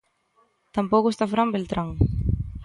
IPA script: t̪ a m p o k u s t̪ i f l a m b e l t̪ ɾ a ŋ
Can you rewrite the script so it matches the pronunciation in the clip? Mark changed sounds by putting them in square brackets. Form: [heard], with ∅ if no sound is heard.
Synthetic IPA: t̪ a m p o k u s t̪ [a] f [ɾ] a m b e l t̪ ɾ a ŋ